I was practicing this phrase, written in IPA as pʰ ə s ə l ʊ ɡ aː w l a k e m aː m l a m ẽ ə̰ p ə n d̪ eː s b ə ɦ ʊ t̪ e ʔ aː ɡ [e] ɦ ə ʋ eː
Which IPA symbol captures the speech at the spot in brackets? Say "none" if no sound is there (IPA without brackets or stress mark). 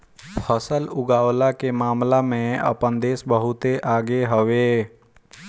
e